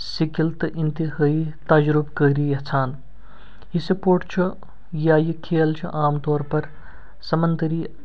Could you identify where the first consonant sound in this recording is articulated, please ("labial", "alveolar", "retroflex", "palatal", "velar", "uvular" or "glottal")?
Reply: alveolar